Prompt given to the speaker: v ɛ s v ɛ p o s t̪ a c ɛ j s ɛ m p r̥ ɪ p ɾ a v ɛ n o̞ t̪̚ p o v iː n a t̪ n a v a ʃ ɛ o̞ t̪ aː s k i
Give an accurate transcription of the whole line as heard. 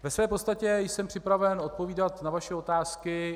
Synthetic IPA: v ɛ s v ɛː p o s t̪ a c ɛ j s ɛ m p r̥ ɪ p ɾ a v ɛ n o̞ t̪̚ p o v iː d a t̪ n a v a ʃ ɛ o̞ t̪ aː s k ɪ